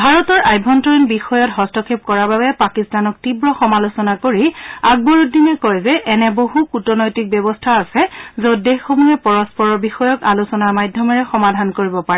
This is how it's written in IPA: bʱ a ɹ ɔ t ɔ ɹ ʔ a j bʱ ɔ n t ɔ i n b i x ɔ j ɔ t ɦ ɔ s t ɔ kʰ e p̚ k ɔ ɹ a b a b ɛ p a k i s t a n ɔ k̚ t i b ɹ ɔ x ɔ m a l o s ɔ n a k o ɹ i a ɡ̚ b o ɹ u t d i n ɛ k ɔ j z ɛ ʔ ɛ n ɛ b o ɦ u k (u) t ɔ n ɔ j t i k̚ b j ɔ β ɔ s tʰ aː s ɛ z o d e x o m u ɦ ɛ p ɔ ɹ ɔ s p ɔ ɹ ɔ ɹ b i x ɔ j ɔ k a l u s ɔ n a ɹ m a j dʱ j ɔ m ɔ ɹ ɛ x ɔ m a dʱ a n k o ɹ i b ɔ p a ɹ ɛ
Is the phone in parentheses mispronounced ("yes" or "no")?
no